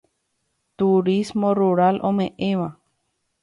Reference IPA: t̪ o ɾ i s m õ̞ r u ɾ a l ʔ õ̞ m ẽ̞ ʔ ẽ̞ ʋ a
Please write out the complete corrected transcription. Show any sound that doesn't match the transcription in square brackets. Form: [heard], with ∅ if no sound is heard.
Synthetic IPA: t̪ [u] ɾ i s m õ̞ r u ɾ a l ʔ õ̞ m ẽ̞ ʔ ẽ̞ ʋ a

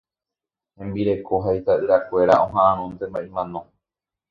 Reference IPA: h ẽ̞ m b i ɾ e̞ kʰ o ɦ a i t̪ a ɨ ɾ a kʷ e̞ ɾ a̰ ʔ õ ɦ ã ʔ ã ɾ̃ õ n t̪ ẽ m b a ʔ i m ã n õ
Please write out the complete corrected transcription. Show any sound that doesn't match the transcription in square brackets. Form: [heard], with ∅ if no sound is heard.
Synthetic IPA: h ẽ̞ m b i ɾ e̞ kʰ o ɦ a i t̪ a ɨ ɾ a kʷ e̞ ɾ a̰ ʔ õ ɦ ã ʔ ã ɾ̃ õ n t̪ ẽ m b a ʔ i m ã n õ

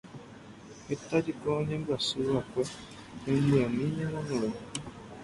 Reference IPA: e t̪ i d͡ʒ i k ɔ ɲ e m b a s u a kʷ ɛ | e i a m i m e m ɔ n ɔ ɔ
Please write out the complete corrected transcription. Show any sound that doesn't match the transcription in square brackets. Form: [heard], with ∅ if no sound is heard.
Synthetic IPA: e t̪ [a] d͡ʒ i k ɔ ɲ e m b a s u a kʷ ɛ | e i a m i [ɲ] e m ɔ n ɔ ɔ

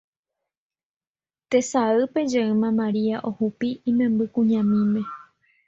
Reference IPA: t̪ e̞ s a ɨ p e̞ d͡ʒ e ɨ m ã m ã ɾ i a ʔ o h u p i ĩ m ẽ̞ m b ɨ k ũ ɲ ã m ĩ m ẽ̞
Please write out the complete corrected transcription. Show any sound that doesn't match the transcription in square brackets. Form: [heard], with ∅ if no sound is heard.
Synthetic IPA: t̪ e̞ s a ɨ p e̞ d͡ʒ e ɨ m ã m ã ɾ i a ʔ o h u p i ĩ m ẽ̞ m b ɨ k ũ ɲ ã m ĩ m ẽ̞

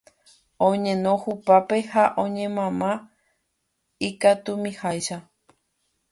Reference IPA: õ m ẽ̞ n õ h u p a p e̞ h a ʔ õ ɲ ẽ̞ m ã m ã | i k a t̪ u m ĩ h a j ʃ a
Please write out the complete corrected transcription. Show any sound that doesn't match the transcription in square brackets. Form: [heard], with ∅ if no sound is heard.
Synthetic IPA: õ [ɲ] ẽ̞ n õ h u p a p e̞ h a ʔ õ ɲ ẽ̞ m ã m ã | i k a t̪ u m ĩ h a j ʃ a

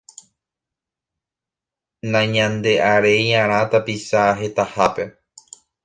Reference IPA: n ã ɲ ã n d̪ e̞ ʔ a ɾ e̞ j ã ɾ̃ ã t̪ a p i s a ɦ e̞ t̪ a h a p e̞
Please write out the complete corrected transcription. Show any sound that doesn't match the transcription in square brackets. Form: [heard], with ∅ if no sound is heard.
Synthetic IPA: n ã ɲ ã n d̪ e̞ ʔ a ɾ e̞ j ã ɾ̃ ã t̪ a p i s a ɦ e̞ t̪ a h a p e̞

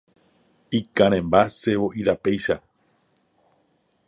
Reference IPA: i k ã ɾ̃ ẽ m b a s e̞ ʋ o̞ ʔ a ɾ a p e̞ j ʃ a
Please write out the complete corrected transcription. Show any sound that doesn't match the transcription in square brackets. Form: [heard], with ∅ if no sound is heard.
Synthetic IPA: i k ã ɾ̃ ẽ m b a s e̞ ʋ o̞ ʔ [i] ɾ a p e̞ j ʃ a

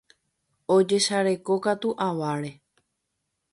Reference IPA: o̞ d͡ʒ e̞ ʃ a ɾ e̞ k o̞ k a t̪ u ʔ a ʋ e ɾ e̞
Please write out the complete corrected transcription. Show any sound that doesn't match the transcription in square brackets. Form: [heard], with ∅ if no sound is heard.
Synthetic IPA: o̞ d͡ʒ e̞ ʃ a ɾ e̞ k o̞ k a t̪ u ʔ a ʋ [a] ɾ e̞

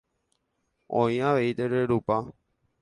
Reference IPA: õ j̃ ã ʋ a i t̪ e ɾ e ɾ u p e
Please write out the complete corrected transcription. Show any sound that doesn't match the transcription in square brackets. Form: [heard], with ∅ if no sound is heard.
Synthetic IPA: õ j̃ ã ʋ [e] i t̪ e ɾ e ɾ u p [a]

